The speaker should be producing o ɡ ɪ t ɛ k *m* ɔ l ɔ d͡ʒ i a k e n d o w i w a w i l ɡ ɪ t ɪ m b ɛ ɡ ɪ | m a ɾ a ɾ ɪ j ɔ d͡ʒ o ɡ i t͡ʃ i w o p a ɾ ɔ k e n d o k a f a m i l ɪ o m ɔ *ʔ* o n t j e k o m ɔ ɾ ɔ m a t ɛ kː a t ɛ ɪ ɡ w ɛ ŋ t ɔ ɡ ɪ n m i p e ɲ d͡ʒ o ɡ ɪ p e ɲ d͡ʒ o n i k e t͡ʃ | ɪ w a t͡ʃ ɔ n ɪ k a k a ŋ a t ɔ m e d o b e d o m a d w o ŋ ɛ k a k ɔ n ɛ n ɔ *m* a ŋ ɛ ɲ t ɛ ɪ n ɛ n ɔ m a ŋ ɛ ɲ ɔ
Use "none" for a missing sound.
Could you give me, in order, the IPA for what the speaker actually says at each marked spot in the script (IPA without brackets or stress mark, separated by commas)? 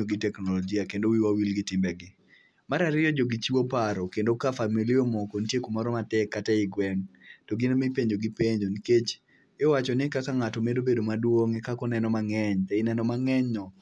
n, k, m